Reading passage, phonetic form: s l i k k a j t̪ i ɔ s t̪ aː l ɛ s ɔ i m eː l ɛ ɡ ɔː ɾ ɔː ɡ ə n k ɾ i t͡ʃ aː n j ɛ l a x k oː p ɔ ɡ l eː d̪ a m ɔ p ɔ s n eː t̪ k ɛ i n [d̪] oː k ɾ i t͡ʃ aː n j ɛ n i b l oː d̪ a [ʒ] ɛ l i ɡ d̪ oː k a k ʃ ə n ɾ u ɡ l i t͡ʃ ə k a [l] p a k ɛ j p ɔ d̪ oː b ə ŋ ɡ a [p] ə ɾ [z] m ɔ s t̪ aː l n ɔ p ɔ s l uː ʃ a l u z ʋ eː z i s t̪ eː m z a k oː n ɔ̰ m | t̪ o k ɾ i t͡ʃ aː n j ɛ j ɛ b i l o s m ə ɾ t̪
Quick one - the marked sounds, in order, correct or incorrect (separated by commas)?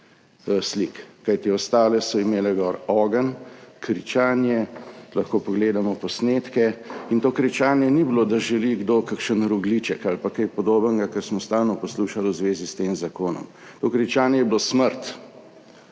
incorrect, correct, correct, incorrect, incorrect